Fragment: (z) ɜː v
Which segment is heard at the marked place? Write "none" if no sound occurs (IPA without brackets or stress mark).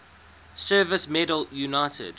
s